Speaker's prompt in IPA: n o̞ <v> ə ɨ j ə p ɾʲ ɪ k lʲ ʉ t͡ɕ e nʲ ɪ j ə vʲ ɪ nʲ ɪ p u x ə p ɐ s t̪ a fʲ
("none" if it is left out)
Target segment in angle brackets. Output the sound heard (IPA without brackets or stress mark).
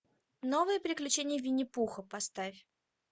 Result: v